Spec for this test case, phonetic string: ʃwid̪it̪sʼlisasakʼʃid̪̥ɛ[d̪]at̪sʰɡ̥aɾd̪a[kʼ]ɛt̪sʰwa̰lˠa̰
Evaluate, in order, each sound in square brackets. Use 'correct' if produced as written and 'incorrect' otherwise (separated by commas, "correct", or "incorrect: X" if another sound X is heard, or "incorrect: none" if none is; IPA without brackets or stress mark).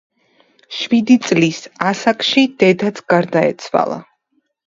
correct, incorrect: none